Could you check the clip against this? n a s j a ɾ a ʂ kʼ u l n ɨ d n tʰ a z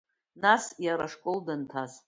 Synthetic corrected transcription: n a s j a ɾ a ʂ kʼ o l d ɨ n tʰ a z